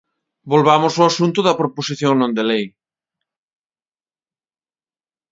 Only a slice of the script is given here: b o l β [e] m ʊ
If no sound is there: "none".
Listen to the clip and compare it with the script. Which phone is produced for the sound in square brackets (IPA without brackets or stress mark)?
a